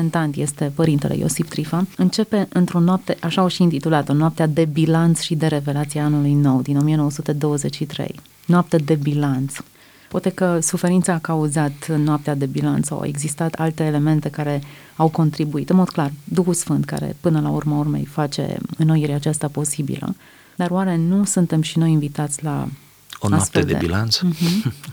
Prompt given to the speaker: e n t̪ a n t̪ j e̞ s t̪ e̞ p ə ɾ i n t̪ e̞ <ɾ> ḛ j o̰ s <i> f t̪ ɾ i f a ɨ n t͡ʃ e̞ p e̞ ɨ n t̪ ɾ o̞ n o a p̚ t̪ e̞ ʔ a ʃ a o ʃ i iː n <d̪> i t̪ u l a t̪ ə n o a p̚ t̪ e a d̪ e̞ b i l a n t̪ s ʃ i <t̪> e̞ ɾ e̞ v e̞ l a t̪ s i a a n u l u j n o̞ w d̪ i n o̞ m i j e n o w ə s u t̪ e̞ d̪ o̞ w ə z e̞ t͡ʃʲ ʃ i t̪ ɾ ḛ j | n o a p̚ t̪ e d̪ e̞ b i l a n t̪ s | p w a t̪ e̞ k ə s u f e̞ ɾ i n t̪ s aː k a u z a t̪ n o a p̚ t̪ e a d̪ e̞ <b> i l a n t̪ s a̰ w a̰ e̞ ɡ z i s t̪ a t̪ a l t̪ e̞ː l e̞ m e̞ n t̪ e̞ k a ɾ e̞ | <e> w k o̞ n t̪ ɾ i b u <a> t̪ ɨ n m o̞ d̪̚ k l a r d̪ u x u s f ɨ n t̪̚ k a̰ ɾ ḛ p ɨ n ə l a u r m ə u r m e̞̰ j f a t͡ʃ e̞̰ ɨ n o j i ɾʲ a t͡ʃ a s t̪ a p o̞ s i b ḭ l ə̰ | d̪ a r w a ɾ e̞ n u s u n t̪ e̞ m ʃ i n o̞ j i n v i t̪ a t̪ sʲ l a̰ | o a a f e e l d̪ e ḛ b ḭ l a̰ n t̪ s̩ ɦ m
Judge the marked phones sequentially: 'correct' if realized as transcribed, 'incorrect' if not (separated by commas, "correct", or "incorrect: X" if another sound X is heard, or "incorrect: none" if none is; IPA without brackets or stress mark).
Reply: incorrect: l, correct, incorrect: t̪, incorrect: d̪, correct, incorrect: a, incorrect: i